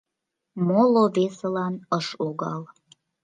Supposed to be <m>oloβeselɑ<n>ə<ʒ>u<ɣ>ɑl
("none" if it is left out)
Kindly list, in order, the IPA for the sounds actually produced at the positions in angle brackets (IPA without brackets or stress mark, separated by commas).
m, n, ʃ, ɣ